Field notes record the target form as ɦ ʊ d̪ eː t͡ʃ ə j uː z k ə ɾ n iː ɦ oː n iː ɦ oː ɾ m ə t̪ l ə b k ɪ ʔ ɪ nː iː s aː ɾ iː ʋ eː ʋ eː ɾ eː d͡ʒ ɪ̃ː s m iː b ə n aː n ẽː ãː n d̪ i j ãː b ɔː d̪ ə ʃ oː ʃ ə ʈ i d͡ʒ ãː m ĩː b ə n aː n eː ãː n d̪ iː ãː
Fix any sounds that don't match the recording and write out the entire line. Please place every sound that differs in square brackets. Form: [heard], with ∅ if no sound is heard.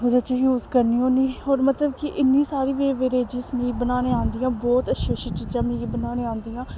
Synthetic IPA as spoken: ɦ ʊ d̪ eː t͡ʃ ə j uː z k ə ɾ n iː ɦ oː n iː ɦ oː ɾ m ə t̪ l ə b k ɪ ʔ ɪ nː iː s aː ɾ iː ʋ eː ʋ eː ɾ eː d͡ʒ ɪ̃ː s m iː b ə n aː n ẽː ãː n d̪ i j ãː b ɔː [t̪] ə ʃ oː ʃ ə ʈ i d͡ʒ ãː m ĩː b ə n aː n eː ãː n d̪ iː ãː